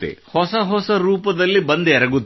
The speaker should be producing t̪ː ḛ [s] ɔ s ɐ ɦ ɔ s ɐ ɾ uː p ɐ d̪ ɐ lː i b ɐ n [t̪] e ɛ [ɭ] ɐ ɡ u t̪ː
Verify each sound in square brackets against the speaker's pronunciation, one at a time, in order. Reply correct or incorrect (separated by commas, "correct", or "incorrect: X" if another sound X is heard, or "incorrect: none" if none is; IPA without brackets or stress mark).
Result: incorrect: h, incorrect: d̪, incorrect: ɾ